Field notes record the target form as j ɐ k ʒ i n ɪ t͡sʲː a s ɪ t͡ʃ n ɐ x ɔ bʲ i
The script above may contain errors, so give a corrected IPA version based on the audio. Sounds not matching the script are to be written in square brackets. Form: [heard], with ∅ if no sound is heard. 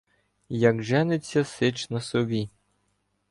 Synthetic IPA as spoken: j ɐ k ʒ [ɛ] n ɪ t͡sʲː [ɐ] s ɪ t͡ʃ n ɐ [s] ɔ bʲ i